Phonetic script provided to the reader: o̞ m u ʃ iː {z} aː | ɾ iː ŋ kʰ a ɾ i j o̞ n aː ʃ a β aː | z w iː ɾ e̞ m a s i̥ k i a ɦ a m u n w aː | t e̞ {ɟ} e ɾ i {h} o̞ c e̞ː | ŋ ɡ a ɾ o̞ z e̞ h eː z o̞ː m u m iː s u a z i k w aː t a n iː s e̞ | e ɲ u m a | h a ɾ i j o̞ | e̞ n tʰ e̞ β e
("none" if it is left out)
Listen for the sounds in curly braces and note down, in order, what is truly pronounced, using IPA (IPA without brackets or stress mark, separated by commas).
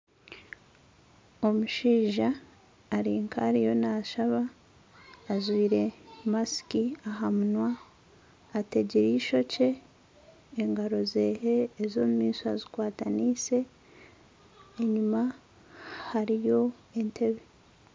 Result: ʒ, ɟ, ʃ